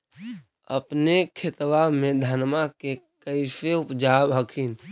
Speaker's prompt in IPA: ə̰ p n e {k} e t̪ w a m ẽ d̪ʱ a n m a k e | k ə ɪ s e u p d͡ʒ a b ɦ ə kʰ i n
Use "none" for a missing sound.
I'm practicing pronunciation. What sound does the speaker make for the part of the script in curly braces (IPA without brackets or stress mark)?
kʰ